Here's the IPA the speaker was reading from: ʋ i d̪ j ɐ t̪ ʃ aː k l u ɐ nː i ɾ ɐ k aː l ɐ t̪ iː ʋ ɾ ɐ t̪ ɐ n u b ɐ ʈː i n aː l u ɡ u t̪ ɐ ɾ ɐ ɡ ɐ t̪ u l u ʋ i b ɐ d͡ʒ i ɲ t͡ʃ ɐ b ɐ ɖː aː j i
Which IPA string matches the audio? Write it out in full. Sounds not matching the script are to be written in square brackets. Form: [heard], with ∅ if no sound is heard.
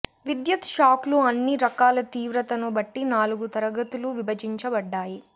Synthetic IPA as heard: ʋ i d̪ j ɐ t̪ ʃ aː k l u ɐ nː i ɾ ɐ k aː l ɐ t̪ iː ʋ ɾ ɐ t̪ ɐ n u b ɐ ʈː i n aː l u ɡ u t̪ ɐ ɾ ɐ ɡ ɐ t̪ u l u ʋ i b ɐ d͡ʒ i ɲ t͡ʃ ɐ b ɐ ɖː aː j i